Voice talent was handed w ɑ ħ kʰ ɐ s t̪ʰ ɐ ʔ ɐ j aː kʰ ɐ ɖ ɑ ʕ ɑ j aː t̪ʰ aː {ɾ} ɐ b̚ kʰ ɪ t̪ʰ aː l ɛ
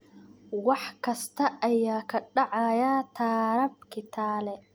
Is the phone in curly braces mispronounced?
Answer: no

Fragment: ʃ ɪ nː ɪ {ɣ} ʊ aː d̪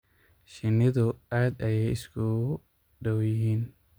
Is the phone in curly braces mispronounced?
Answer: yes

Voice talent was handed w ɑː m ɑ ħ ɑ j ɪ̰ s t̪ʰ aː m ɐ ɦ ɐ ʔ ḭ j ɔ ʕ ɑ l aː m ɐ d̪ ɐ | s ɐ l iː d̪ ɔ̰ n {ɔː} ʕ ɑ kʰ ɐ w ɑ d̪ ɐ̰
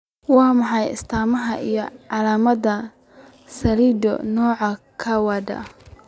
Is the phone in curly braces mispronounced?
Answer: no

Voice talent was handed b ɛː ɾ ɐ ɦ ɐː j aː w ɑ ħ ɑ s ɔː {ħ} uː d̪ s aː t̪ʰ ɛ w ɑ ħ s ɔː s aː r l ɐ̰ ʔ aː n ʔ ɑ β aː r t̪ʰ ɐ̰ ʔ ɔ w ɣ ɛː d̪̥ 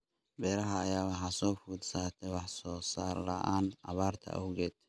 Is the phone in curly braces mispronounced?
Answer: yes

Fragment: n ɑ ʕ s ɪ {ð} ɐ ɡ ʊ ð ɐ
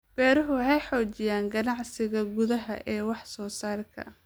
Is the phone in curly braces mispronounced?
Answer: yes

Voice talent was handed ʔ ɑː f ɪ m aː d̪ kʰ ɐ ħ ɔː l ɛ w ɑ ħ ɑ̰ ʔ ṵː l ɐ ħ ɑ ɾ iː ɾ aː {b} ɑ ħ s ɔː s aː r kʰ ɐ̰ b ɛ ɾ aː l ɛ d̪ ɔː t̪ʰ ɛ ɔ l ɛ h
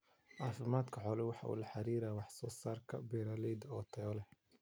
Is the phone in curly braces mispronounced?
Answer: yes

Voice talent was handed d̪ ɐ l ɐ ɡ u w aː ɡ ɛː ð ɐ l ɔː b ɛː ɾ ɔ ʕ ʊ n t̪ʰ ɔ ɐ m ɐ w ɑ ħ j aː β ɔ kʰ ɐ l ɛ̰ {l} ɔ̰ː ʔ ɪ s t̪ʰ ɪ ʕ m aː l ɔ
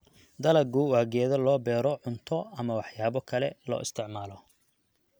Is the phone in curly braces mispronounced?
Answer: no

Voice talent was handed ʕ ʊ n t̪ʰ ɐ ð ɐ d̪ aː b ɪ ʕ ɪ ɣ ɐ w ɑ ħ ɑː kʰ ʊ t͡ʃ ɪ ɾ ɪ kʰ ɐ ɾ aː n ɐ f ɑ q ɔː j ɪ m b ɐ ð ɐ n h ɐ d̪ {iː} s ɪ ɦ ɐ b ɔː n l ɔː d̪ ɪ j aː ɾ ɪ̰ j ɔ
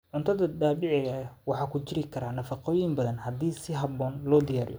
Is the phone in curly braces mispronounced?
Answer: no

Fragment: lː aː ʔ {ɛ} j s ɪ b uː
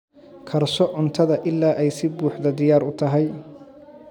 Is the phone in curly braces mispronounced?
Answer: no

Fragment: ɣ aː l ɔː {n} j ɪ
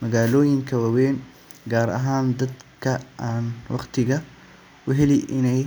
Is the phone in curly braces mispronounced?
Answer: yes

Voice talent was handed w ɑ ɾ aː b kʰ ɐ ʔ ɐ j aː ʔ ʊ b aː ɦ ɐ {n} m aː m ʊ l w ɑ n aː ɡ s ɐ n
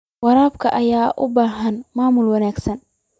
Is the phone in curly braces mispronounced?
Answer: no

